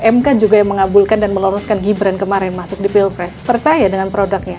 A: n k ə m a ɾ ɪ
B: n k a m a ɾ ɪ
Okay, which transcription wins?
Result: A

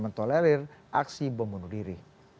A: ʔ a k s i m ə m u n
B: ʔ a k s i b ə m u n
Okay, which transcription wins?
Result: B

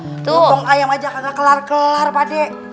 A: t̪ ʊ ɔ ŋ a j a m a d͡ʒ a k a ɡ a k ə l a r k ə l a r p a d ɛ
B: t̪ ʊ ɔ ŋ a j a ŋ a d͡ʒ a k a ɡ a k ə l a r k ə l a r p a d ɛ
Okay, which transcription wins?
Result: A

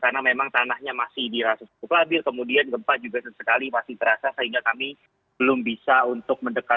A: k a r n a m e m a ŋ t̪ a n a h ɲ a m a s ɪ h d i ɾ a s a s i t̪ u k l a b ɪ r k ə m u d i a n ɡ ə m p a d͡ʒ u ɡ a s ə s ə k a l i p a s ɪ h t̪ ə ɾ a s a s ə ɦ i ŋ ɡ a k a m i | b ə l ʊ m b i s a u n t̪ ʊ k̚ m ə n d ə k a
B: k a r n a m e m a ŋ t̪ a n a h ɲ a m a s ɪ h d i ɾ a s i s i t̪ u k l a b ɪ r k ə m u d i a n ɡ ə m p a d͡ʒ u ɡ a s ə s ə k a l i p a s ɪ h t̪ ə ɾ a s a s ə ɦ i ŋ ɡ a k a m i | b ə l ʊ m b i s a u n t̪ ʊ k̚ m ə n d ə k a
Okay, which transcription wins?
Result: A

